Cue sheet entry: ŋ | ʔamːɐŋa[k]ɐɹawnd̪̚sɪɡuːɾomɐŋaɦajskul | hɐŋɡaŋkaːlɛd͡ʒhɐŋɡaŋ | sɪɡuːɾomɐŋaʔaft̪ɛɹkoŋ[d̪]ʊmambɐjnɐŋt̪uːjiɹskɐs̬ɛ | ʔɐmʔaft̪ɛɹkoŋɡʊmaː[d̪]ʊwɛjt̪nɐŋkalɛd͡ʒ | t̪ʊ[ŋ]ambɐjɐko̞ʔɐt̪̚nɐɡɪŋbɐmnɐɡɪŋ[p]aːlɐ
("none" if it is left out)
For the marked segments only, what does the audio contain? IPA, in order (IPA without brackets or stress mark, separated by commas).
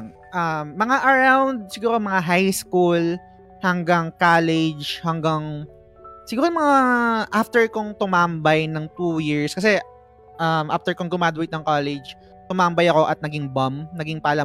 ʔ, t̪, d̪, m, p